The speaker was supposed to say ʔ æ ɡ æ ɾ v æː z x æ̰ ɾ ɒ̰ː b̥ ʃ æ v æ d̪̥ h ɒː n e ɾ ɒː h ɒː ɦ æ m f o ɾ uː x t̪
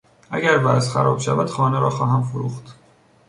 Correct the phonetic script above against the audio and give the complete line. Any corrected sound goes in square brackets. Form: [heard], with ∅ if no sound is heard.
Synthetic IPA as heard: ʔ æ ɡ æ ɾ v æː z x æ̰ ɾ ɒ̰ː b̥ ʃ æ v æ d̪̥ [x] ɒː n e ɾ ɒː [x] ɒː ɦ æ m f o ɾ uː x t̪